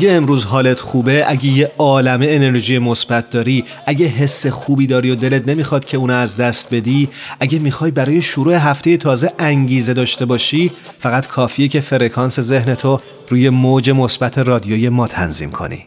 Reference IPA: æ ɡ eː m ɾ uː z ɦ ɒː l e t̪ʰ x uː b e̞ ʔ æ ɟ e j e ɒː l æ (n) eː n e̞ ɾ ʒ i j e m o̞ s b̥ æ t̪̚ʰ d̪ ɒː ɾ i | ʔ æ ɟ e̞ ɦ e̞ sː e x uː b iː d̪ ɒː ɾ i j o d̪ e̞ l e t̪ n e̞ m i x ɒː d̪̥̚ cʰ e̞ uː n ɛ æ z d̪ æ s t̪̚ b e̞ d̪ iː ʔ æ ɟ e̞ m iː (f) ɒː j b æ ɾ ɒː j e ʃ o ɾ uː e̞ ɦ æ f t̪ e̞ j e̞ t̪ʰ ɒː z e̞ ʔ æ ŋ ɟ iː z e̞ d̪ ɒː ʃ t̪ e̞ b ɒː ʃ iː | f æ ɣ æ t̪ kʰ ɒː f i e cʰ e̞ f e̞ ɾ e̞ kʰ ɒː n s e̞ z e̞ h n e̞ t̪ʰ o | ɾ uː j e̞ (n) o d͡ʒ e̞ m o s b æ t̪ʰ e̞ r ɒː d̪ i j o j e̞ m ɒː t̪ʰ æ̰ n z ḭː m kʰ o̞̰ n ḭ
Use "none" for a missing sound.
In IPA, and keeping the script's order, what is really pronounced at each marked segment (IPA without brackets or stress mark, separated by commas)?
m, x, m